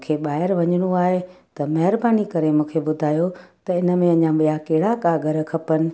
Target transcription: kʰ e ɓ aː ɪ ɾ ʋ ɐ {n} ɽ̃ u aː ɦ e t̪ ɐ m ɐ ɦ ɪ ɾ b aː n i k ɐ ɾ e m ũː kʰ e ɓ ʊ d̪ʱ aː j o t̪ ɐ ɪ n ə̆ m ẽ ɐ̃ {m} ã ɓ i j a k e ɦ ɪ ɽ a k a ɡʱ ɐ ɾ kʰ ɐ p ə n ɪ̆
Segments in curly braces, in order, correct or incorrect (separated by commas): incorrect, incorrect